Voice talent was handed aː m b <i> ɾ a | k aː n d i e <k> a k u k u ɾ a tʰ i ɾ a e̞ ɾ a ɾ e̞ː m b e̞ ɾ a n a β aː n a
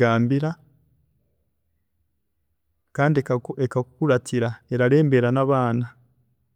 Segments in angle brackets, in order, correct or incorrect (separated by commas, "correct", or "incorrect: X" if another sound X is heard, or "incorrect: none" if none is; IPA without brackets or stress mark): correct, correct